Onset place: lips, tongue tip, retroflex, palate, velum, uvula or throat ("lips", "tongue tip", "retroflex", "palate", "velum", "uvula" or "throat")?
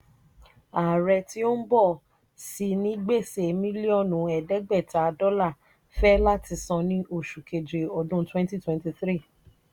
tongue tip